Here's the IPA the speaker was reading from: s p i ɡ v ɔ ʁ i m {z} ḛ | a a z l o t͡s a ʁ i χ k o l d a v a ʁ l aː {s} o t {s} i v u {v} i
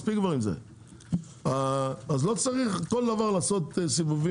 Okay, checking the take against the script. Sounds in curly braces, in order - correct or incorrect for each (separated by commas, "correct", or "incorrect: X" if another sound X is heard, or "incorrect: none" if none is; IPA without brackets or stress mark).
correct, correct, correct, correct